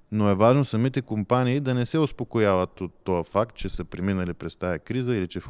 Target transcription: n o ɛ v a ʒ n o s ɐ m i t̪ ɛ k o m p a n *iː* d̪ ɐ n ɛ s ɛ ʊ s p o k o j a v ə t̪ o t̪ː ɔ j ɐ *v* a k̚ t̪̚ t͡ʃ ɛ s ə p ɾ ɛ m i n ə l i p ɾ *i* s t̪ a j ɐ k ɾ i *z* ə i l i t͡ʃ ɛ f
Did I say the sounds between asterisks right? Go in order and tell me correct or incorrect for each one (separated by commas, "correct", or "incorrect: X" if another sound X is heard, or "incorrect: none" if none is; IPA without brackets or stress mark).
correct, incorrect: f, incorrect: ɛ, correct